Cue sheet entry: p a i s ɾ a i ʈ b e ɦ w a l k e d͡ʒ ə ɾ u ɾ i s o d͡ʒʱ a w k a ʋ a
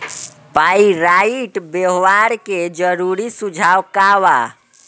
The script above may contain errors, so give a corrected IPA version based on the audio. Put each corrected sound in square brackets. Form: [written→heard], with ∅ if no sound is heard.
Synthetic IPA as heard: p a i [s→∅] ɾ a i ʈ b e ɦ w a [l→ɾ] k e d͡ʒ ə ɾ u ɾ i s [o→u] d͡ʒʱ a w k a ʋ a